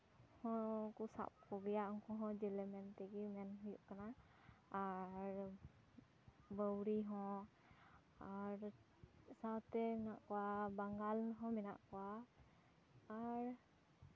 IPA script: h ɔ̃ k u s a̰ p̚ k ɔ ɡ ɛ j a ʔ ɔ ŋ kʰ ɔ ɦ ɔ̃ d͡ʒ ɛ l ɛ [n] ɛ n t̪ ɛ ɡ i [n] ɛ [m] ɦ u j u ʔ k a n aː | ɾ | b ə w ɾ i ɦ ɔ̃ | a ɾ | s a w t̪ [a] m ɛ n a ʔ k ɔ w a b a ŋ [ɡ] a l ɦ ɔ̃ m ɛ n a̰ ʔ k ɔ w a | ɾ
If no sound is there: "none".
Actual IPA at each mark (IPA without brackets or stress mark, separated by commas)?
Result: m, m, n, ɛ, ɡ